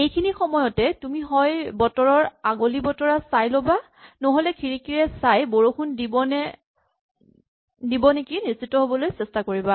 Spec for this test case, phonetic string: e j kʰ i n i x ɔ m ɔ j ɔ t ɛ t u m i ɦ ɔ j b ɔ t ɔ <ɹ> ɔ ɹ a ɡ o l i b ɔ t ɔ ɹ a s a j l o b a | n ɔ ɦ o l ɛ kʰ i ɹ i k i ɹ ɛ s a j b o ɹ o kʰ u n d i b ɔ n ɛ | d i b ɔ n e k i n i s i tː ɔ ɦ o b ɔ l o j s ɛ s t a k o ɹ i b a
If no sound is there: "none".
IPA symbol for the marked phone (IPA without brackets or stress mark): ɹ